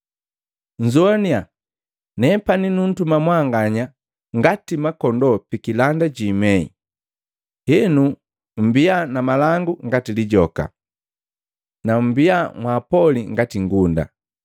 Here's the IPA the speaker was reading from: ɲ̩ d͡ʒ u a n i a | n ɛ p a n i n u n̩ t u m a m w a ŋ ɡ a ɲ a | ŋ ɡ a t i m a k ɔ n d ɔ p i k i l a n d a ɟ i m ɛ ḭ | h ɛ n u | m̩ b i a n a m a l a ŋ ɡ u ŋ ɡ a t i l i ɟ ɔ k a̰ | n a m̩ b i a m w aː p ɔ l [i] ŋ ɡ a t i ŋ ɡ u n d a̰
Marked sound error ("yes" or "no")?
no